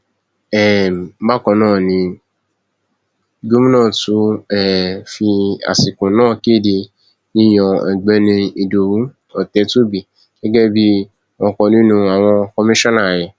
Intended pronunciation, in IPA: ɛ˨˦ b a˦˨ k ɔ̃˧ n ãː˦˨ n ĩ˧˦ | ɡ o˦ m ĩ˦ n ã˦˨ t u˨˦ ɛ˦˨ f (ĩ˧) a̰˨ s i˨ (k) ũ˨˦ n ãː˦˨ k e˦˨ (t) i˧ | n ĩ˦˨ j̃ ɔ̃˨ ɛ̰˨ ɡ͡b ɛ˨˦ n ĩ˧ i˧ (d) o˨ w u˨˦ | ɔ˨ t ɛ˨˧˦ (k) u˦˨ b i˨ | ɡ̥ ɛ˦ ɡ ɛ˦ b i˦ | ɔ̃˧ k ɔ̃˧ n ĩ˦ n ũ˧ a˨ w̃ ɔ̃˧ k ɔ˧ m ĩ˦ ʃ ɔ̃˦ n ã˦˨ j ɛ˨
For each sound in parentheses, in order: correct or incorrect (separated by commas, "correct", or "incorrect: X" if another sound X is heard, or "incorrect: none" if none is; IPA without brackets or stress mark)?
incorrect: i˧, correct, incorrect: d, correct, incorrect: t